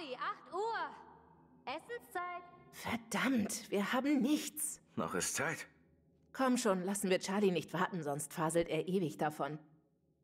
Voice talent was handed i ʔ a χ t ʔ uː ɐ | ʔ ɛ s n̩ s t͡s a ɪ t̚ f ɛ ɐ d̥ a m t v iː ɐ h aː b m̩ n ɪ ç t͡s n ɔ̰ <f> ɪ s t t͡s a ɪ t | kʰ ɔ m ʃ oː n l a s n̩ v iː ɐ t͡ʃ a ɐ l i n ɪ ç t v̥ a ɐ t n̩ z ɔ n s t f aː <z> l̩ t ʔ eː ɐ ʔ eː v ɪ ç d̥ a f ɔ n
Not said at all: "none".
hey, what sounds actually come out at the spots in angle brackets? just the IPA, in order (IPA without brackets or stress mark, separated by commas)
χ, z